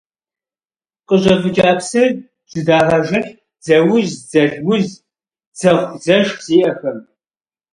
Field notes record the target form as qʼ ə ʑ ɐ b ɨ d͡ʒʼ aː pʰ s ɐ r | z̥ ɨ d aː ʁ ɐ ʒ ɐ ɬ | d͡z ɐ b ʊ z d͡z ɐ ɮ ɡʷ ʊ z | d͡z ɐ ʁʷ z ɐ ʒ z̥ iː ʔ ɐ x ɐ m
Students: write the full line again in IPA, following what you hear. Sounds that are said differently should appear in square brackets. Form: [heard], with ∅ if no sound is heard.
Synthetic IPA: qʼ ə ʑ ɐ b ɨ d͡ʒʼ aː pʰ s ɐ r | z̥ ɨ d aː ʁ ɐ ʒ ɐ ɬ | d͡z ɐ [w] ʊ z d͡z ɐ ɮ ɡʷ ʊ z | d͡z ɐ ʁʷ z ɐ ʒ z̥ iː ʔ ɐ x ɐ m